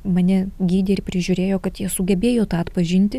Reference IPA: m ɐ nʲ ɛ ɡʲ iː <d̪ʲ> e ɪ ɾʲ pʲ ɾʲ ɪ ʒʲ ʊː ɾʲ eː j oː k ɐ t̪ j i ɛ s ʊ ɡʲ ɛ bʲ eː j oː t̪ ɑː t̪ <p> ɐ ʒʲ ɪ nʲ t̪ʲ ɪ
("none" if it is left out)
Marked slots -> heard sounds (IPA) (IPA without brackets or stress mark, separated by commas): d̪ʲ, p